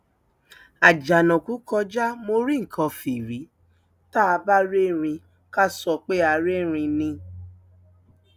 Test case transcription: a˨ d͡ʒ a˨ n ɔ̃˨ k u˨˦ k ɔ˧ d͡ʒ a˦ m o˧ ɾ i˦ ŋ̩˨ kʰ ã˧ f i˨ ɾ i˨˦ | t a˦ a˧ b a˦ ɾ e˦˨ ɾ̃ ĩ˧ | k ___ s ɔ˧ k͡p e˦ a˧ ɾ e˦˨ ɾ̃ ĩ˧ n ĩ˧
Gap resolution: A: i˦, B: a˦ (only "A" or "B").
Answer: B